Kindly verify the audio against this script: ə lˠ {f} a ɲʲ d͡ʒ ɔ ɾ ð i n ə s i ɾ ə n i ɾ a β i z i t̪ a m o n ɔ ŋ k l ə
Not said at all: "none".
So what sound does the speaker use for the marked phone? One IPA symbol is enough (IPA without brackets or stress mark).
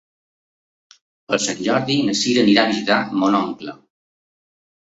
s